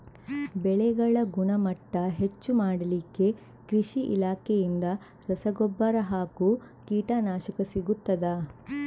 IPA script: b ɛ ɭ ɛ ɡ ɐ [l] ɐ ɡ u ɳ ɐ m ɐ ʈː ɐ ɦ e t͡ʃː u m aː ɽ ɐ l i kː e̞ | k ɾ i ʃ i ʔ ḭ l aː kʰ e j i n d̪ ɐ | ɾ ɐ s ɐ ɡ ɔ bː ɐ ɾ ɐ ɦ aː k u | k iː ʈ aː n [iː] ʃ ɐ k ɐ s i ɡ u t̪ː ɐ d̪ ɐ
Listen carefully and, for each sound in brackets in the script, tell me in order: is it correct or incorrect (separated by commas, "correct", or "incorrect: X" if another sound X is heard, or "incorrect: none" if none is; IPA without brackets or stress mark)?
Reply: incorrect: ɭ, incorrect: aː